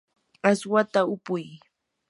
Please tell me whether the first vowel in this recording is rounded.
no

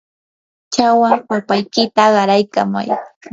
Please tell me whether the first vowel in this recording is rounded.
no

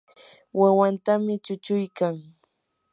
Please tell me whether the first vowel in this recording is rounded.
no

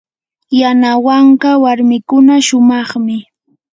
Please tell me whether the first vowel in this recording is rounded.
no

